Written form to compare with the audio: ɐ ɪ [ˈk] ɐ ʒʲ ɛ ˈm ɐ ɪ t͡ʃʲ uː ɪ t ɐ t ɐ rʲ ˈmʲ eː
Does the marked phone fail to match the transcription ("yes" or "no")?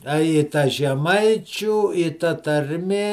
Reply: yes